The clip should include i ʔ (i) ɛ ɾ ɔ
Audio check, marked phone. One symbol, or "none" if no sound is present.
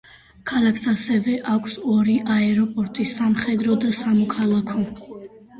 a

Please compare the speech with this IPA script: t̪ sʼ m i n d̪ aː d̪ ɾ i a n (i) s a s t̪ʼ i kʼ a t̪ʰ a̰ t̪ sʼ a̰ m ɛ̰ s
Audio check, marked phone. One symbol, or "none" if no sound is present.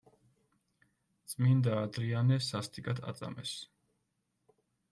ɛ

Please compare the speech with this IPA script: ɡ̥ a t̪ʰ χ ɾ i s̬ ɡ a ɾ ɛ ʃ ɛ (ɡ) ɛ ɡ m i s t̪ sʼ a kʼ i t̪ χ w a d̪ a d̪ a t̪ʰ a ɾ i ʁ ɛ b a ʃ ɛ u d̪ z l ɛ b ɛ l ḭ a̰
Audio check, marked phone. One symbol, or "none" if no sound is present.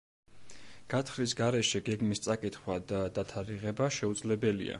ɡ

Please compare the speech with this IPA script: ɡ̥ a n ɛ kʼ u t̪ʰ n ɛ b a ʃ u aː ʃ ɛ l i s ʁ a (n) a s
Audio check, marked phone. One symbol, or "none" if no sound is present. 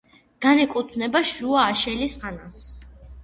n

